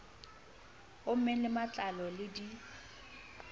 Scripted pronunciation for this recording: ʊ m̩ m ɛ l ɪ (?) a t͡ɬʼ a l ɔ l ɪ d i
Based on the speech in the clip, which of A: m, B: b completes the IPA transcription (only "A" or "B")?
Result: A